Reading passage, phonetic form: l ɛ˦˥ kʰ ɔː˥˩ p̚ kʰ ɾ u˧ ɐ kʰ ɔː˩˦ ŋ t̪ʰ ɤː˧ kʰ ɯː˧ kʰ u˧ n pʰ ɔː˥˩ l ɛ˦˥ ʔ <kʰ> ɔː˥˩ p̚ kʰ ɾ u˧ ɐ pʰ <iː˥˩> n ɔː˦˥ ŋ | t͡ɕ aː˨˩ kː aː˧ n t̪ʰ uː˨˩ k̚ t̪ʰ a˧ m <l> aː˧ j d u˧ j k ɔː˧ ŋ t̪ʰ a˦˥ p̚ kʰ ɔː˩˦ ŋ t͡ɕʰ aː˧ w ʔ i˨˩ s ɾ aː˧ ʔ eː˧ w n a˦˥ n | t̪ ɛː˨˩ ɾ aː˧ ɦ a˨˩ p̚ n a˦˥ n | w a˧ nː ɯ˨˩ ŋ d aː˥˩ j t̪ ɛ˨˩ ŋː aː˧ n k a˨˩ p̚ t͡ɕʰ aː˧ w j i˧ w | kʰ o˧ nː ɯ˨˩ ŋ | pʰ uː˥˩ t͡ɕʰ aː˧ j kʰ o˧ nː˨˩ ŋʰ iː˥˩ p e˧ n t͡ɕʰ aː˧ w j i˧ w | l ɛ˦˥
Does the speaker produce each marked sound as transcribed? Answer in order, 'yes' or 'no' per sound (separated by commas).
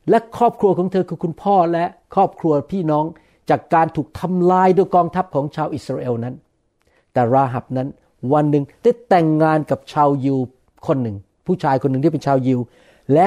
yes, yes, yes